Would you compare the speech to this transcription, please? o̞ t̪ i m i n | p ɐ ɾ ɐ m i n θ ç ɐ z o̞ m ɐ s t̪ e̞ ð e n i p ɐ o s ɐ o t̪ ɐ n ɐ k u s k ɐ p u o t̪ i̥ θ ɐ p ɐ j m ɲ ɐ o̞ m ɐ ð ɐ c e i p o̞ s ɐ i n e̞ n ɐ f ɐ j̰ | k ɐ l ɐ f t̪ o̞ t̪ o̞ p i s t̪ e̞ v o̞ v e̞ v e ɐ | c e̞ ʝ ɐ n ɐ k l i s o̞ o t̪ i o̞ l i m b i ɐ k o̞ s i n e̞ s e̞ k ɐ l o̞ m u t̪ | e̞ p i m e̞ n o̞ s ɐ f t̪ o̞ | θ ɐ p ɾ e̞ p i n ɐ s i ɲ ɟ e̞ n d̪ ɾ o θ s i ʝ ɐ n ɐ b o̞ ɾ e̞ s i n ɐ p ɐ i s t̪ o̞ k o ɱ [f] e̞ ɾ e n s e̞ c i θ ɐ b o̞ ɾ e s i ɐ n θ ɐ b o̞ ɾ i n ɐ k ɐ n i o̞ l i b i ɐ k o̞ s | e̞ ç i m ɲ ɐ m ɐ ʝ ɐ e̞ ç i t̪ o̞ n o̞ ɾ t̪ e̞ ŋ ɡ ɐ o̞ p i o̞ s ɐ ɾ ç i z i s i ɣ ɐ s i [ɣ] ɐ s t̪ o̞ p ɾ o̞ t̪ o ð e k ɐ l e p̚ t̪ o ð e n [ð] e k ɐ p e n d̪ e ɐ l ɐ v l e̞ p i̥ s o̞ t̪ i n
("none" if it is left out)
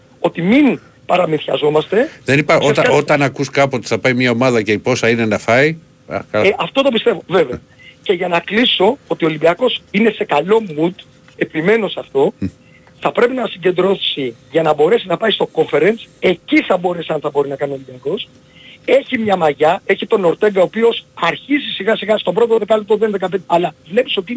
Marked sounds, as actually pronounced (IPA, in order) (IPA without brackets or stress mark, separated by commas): f, ɣ, ð